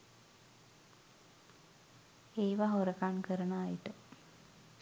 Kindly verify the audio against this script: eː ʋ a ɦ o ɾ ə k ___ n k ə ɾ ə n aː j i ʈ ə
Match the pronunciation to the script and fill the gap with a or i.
a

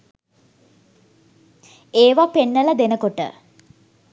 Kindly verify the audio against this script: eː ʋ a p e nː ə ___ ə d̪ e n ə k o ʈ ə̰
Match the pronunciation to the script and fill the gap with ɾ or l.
l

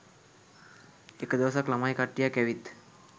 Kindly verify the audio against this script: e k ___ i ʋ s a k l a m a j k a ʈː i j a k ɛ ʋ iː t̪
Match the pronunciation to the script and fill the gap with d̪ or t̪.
d̪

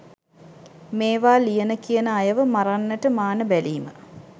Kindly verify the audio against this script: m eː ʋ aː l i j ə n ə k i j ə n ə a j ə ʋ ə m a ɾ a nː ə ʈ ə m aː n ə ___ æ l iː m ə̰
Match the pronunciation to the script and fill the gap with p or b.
b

